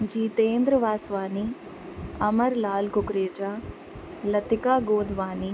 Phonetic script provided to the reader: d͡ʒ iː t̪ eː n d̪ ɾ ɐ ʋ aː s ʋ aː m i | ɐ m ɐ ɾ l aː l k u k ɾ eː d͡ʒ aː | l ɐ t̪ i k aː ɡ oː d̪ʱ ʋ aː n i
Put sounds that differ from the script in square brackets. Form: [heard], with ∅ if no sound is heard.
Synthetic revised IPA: d͡ʒ iː t̪ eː n d̪ ɾ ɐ ʋ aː s ʋ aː [n] i | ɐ m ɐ ɾ l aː l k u k ɾ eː d͡ʒ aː | l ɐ t̪ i k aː ɡ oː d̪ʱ ʋ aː n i